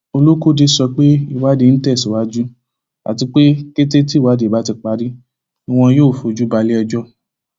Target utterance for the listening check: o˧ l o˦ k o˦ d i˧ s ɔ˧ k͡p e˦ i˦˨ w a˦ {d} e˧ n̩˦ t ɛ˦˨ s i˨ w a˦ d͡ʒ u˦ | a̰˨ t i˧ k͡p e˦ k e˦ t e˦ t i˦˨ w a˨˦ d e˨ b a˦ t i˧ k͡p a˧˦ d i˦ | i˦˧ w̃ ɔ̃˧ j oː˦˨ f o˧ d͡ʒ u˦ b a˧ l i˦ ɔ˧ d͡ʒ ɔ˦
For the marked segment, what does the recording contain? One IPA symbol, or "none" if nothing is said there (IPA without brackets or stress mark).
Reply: d